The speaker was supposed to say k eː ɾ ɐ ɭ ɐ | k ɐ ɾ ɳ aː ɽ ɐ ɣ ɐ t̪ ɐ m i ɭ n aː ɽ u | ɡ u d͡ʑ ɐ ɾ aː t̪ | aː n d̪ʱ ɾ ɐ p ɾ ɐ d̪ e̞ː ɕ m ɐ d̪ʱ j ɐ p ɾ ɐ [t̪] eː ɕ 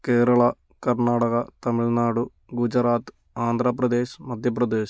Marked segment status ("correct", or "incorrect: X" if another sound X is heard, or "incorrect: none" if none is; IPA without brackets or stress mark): incorrect: d̪